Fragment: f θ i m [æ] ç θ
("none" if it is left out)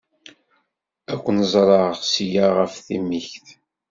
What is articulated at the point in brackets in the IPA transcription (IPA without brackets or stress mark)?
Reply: i